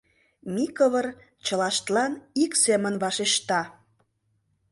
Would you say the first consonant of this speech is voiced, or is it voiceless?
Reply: voiced